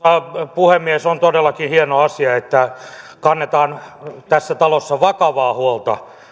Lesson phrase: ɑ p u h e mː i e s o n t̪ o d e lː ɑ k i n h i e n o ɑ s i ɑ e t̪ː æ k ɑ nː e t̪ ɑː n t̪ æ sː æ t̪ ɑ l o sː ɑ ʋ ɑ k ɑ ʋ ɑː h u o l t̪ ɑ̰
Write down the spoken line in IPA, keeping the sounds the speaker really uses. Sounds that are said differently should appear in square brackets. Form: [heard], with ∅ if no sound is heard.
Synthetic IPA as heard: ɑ p u h e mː i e s o n t̪ o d e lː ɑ k i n h i e n o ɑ s i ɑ e t̪ː æ k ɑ nː e t̪ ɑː n t̪ æ sː æ t̪ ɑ l o sː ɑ ʋ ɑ k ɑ ʋ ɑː h u o l t̪ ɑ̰